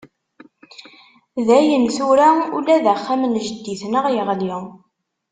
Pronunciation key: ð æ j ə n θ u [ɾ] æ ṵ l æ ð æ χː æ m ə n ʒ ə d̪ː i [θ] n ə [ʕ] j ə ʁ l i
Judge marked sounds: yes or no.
yes, yes, no

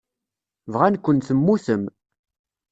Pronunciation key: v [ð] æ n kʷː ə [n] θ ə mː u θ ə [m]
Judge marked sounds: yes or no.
no, yes, yes

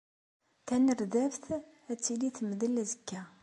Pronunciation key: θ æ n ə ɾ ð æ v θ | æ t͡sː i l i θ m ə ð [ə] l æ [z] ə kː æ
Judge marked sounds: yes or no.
yes, yes

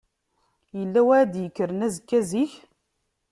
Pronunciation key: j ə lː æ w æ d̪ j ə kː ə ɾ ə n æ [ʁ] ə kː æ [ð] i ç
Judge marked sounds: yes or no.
no, no

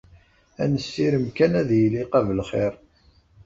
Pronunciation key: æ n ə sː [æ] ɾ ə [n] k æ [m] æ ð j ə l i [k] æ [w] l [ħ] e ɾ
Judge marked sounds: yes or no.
no, no, no, no, no, no

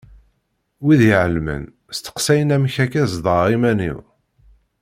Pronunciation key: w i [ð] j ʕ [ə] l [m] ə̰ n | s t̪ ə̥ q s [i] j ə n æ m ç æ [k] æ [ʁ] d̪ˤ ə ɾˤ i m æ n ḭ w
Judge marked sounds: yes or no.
yes, yes, yes, no, yes, no

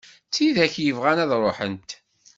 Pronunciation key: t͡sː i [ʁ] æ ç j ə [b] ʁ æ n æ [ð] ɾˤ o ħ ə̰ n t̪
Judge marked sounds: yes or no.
no, no, yes

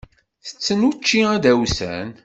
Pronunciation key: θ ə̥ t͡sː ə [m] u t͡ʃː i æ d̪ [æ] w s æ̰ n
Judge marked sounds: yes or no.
no, yes

